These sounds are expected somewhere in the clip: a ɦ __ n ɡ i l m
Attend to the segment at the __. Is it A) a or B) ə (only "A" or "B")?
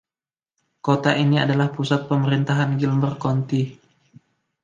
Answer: A